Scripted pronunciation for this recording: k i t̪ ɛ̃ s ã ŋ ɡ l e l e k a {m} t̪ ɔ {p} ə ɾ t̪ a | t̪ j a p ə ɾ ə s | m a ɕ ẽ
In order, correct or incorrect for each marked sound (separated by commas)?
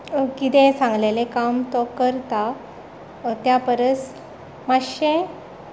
correct, incorrect